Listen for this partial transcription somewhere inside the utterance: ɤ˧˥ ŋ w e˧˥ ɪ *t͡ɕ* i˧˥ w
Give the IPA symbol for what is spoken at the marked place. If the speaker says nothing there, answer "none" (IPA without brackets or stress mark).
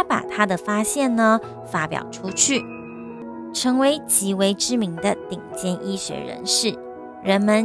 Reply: t͡ɕ